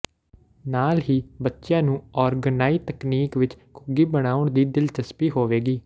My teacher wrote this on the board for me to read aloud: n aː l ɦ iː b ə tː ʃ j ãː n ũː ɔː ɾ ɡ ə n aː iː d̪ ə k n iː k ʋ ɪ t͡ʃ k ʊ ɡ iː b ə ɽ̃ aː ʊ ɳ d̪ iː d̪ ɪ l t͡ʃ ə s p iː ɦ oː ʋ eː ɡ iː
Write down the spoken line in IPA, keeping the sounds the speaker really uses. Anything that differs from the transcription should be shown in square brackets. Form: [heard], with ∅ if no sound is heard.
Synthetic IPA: n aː l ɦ iː b ə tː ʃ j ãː n ũː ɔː ɾ ɡ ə n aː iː [t̪] ə k n iː k ʋ ɪ t͡ʃ k ʊ ɡ iː b ə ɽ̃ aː ʊ ɳ d̪ iː d̪ ɪ l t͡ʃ ə s p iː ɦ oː ʋ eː ɡ iː